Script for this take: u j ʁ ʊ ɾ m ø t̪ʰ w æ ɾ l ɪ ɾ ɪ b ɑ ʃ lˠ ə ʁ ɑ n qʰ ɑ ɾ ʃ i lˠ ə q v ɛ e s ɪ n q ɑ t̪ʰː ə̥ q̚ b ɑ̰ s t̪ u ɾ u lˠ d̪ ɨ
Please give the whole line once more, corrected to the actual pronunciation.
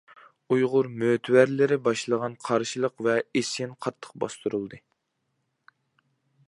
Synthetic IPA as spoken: u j ʁ ʊ ɾ m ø t̪ʰ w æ ɾ l ɪ ɾ ɪ b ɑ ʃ lˠ ə ʁ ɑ n qʰ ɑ ɾ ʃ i lˠ ə q v ɛ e s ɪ n qʰ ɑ t̪ʰː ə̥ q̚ b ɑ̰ s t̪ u ɾ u lˠ d̪ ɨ